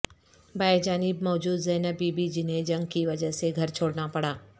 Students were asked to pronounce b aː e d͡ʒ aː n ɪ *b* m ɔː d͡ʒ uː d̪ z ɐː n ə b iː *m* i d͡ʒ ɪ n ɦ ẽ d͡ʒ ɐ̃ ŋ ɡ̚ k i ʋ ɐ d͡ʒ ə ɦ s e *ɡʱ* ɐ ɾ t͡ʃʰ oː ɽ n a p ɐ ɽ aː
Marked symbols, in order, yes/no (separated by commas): yes, no, yes